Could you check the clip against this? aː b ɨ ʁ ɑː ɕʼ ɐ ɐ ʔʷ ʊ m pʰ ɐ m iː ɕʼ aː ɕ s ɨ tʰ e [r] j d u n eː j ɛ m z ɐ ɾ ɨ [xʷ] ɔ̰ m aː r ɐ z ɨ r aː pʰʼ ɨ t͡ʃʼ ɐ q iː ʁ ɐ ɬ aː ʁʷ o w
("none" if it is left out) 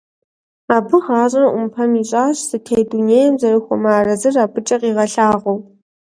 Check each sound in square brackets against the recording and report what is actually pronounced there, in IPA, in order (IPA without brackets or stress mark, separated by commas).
none, xʷ